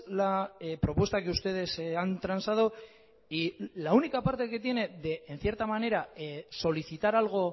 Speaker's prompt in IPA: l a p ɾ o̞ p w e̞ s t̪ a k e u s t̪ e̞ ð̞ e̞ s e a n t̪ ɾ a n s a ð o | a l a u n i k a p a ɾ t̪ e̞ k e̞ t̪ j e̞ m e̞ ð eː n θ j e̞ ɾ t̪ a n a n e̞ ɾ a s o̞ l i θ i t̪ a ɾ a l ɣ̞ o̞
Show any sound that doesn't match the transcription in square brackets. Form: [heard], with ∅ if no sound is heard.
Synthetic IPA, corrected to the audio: l a p ɾ o̞ p w e̞ s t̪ a k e u s t̪ e̞ ð̞ e̞ s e a n t̪ ɾ a n s a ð o | [i] l a u n i k a p a ɾ t̪ e̞ k e̞ t̪ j e̞ [n] e̞ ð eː n θ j e̞ ɾ t̪ a [m] a n e̞ ɾ a s o̞ l i θ i t̪ a ɾ a l ɣ̞ o̞

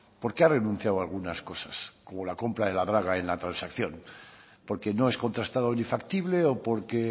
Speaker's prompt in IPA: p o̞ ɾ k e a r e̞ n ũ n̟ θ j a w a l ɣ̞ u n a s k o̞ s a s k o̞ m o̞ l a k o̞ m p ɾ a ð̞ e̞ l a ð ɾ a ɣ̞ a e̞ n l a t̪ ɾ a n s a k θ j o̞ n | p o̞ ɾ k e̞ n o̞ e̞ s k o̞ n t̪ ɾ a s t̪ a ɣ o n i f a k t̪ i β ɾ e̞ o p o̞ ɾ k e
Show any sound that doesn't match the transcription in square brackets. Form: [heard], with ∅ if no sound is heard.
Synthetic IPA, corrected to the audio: p o̞ ɾ k e a r e̞ n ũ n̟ θ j a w a l ɣ̞ u n a s k o̞ s a s k o̞ m o̞ l a k o̞ m p ɾ a ð̞ e̞ l a ð ɾ a ɣ̞ a e̞ n l a t̪ ɾ a n s a k θ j o̞ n | p o̞ ɾ k e̞ n o̞ e̞ s k o̞ n t̪ ɾ a s t̪ a [ð] o n i f a k t̪ i β [l] e̞ o p o̞ ɾ k e

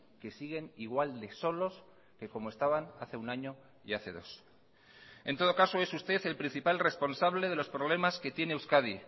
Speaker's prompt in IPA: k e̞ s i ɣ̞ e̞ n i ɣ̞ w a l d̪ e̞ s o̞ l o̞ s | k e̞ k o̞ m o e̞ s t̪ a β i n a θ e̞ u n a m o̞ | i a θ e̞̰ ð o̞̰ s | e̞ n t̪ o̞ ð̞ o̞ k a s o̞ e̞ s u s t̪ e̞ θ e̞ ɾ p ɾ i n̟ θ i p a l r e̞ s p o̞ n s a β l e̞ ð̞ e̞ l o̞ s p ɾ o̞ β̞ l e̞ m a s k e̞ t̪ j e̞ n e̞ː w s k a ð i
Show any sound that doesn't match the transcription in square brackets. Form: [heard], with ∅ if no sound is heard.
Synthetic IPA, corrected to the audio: k e̞ s i ɣ̞ e̞ n i ɣ̞ w a l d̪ e̞ s o̞ l o̞ s | k e̞ k o̞ m o e̞ s t̪ a β [a] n a θ e̞ u n a [ɲ] o̞ | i a θ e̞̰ ð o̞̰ s | e̞ n t̪ o̞ ð̞ o̞ k a s o̞ e̞ s u s t̪ e̞ θ e̞ [l] p ɾ i n̟ θ i p a l r e̞ s p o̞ n s a β l e̞ ð̞ e̞ l o̞ s p ɾ o̞ β̞ l e̞ m a s k e̞ t̪ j e̞ n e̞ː w s k a ð i

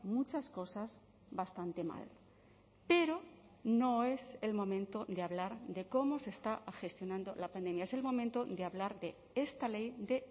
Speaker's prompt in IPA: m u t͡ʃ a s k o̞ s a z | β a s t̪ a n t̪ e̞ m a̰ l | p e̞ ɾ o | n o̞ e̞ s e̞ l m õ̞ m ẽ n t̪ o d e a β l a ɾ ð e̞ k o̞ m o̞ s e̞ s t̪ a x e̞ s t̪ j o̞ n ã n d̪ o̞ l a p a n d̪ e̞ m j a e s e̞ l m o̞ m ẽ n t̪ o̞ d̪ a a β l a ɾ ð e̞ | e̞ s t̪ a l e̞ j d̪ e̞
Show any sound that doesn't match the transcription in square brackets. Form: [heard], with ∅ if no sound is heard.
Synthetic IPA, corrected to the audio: m u t͡ʃ a s k o̞ s a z | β a s t̪ a n t̪ e̞ m a̰ l | p e̞ ɾ o | n o̞ e̞ s e̞ l m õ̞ m ẽ n t̪ o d e a β l a ɾ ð e̞ k o̞ m o̞ s e̞ s t̪ a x e̞ s t̪ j o̞ n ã n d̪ o̞ l a p a n d̪ e̞ m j a e s e̞ l m o̞ m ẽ n t̪ o̞ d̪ [e] a β l a ɾ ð e̞ | e̞ s t̪ a l e̞ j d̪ e̞

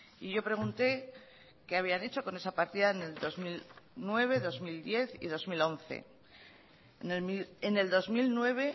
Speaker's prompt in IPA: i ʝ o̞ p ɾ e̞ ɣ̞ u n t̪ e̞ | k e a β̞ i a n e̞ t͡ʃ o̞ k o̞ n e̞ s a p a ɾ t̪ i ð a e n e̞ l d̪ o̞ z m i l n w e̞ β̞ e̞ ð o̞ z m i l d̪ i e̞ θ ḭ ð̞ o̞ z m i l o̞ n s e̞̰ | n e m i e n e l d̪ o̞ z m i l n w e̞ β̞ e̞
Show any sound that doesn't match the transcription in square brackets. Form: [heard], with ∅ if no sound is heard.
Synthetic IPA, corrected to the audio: i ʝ o̞ p ɾ e̞ ɣ̞ u n t̪ e̞ | k e a β̞ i a n e̞ t͡ʃ o̞ k o̞ n e̞ s a p a ɾ t̪ i ð a e n e̞ l d̪ o̞ z m i l n w e̞ β̞ e̞ ð o̞ z m i l d̪ [j] e̞ θ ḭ ð̞ o̞ z m i l o̞ n [θ] e̞̰ | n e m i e n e l d̪ o̞ z m i l n w e̞ β̞ e̞

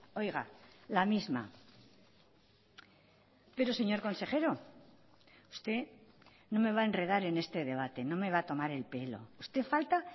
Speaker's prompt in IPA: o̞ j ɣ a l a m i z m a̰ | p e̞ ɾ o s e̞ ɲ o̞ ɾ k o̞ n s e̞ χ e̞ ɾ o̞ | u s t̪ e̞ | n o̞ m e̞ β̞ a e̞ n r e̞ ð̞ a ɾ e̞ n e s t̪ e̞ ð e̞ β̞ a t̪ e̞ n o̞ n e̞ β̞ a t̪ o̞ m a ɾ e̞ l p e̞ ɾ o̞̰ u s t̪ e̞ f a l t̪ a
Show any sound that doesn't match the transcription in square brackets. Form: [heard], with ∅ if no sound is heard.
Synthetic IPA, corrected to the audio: o̞ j ɣ a l a m i z m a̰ | p e̞ ɾ o s e̞ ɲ o̞ ɾ k o̞ n s e̞ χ e̞ ɾ o̞ | u s t̪ e̞ | n o̞ m e̞ β̞ a e̞ n r e̞ ð̞ a ɾ e̞ n e s t̪ e̞ ð e̞ β̞ a t̪ e̞ n o̞ [m] e̞ β̞ a t̪ o̞ m a ɾ e̞ l p e̞ [l] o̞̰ u s t̪ e̞ f a l t̪ a

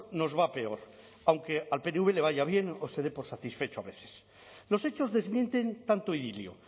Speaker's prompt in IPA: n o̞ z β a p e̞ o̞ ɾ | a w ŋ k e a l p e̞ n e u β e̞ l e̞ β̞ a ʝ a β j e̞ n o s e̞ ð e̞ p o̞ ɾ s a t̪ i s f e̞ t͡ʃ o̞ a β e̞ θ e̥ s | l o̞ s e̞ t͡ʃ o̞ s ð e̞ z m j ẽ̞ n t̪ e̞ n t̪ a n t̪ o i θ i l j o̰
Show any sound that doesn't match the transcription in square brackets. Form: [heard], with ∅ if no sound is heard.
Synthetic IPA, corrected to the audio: n o̞ z β a p e̞ o̞ ɾ | a w ŋ k e a l p e̞ n e u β e̞ l e̞ β̞ a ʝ a β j e̞ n o s e̞ ð e̞ p o̞ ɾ s a t̪ i s f e̞ t͡ʃ o̞ a β e̞ θ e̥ s | l o̞ s e̞ t͡ʃ o̞ [z] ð e̞ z m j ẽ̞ n t̪ e̞ n t̪ a n t̪ o i [ð] i l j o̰

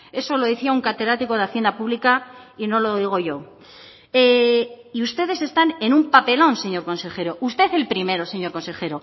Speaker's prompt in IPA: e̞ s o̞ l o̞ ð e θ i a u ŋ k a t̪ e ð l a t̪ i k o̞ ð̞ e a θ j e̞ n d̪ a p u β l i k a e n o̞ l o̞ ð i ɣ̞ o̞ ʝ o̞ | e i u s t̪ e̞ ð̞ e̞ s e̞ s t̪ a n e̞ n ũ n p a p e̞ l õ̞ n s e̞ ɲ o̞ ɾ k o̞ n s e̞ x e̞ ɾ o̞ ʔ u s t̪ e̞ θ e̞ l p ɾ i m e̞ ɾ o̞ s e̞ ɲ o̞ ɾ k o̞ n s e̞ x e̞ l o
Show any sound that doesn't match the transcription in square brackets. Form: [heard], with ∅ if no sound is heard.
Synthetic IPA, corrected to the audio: e̞ s o̞ l o̞ ð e θ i a u ŋ k a t̪ e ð [ɾ] a t̪ i k o̞ ð̞ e a θ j e̞ n d̪ a p u β l i k a [i] n o̞ l o̞ ð i ɣ̞ o̞ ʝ o̞ | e i u s t̪ e̞ ð̞ e̞ s e̞ s t̪ a n e̞ n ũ [m] p a p e̞ l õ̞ n s e̞ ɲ o̞ ɾ k o̞ n s e̞ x e̞ ɾ o̞ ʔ u s t̪ e̞ θ e̞ l p ɾ i m e̞ ɾ o̞ s e̞ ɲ o̞ ɾ k o̞ n s e̞ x e̞ [ɾ] o

